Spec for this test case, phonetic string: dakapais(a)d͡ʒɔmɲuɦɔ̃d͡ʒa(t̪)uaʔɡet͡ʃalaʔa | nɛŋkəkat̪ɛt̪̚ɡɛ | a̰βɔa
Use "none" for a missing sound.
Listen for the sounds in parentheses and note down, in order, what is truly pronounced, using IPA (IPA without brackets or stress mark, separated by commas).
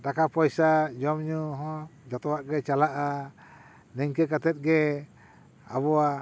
a, t̪